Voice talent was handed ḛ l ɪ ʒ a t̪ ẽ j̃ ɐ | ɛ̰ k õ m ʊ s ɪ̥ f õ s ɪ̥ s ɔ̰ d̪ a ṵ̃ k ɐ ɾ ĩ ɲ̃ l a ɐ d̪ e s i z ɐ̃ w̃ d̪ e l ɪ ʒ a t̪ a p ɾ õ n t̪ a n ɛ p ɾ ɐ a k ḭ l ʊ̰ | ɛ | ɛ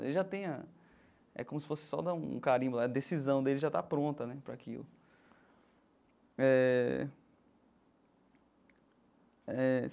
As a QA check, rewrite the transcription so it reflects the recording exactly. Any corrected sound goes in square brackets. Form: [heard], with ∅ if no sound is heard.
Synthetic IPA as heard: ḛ l ɪ ʒ a t̪ ẽ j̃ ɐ | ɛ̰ k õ m ʊ s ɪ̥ f [o] s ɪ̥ s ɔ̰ d̪ a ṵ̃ k [a] ɾ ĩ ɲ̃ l a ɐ d̪ e s i z ɐ̃ w̃ d̪ e l ɪ ʒ a t̪ a p ɾ õ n t̪ [ɐ] n ɛ p ɾ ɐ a k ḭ l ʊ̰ | ɛ | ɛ

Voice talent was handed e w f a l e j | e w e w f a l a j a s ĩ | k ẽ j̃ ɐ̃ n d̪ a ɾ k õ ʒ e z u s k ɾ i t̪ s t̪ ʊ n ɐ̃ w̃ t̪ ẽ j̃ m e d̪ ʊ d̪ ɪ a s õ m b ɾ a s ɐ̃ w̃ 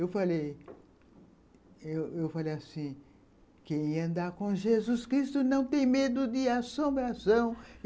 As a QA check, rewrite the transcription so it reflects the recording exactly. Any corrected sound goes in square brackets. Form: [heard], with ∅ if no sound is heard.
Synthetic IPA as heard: e w f a l e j | e w e w f a l [e] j a s ĩ | k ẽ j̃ ɐ̃ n d̪ a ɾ k õ ʒ e z u s k ɾ i [∅] s t̪ ʊ n ɐ̃ w̃ t̪ ẽ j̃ m e d̪ ʊ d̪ ɪ a s õ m b ɾ a s ɐ̃ w̃

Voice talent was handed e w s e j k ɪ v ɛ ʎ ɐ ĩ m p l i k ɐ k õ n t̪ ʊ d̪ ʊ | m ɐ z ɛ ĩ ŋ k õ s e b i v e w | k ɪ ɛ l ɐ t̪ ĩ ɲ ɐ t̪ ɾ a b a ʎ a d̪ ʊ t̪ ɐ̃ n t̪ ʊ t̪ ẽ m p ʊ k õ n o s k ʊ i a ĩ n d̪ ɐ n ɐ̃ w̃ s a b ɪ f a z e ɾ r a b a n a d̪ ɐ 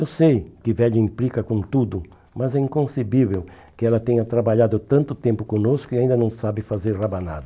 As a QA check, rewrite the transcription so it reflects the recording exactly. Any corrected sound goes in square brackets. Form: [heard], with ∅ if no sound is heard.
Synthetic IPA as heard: e w s e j k ɪ v ɛ ʎ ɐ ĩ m p l i k ɐ k õ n t̪ [u] d̪ ʊ | m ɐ z ɛ ĩ ŋ k õ s e b i v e w | k ɪ ɛ l ɐ t̪ [ẽ] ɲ ɐ t̪ ɾ a b a ʎ a d̪ ʊ t̪ ɐ̃ n t̪ ʊ t̪ ẽ m p ʊ k õ n o s k ʊ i a ĩ n d̪ ɐ n ɐ̃ w̃ s a b ɪ f a z e ɾ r a b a n a d̪ ɐ

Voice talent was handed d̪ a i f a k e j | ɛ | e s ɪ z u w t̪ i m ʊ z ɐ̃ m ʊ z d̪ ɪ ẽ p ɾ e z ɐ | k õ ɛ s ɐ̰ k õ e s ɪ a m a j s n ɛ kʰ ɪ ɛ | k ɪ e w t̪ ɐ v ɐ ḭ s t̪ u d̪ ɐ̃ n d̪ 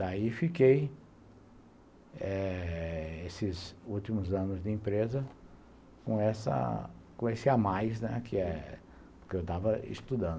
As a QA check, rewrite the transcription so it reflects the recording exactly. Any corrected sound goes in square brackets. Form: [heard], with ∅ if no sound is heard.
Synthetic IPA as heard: d̪ a i f [i] k e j | ɛ | e s ɪ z u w t̪ i m ʊ z ɐ̃ [n] ʊ z d̪ ɪ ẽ p ɾ e z ɐ | k õ ɛ s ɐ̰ k õ e s ɪ a m a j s n ɛ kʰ ɪ ɛ | k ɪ e w t̪ [a] v ɐ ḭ s t̪ u d̪ ɐ̃ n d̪

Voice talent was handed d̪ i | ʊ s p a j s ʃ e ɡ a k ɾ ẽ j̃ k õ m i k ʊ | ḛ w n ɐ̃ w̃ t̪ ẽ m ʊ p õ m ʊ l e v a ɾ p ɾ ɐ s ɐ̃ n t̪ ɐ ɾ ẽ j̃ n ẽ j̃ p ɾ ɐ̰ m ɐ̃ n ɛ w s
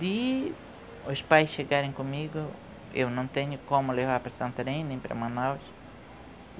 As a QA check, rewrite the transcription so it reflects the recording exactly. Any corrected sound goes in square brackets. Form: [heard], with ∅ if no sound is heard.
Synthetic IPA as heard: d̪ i | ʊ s p a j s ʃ e ɡ a [∅] ɾ ẽ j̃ k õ m i [ɡ] ʊ | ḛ w n ɐ̃ w̃ t̪ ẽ [ɲ] ʊ [k] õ m ʊ l e v a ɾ p ɾ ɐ s ɐ̃ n t̪ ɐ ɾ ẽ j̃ n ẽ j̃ p ɾ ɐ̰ m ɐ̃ n [a] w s

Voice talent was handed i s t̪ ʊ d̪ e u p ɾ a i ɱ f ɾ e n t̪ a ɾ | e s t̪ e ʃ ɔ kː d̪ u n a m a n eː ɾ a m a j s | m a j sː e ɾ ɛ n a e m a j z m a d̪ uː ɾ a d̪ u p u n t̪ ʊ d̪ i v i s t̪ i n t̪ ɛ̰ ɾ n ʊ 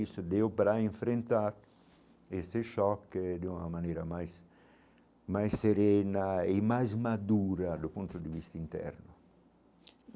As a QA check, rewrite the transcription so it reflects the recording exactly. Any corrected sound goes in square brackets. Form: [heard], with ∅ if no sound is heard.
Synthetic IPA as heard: i s t̪ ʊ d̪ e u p ɾ a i ɱ f ɾ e n t̪ a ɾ | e s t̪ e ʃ ɔ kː d̪ u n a m a n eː ɾ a m a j s | m a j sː e ɾ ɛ n a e m a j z m a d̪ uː ɾ a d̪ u p u n t̪ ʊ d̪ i v i s t̪ i n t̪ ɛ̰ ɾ n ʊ

